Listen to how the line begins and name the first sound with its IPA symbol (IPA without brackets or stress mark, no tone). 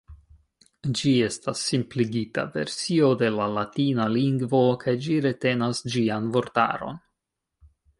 d͡ʒ